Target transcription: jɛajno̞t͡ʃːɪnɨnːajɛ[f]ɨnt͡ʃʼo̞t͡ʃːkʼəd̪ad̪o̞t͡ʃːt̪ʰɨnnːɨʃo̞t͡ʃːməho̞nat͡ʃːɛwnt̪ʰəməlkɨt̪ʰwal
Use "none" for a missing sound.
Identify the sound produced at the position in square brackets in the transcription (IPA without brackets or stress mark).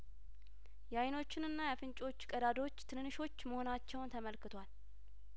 f